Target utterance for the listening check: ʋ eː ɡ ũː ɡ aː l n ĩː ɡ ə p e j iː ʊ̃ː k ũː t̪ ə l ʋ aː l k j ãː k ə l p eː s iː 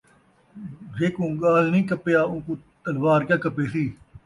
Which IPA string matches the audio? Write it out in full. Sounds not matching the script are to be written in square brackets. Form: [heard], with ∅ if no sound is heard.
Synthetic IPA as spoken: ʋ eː [k] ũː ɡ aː l n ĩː [k] ə p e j [aː] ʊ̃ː k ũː t̪ ə l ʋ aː [ɾ] k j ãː k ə [∅] p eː s iː